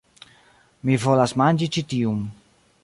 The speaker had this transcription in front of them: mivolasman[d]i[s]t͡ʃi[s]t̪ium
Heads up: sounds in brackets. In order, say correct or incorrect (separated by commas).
incorrect, incorrect, incorrect